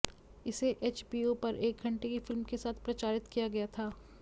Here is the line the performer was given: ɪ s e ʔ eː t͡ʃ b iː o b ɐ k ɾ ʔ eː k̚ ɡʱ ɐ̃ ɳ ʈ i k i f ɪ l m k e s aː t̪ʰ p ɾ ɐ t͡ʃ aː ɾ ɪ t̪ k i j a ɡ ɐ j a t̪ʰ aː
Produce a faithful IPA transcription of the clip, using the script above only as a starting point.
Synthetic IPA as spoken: ɪ s e ʔ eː t͡ʃ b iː o p ɐ ɾ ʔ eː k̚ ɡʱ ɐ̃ ɳ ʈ e k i f ɪ l m k e s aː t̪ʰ p ɾ ɐ t͡ʃ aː ɾ ɪ t̪ k i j a ɡ ɐ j a t̪ʰ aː